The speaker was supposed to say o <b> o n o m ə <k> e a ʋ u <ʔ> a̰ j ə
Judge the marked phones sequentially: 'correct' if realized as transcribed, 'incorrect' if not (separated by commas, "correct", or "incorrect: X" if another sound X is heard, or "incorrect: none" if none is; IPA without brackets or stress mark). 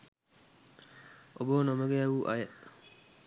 correct, incorrect: ɡ, correct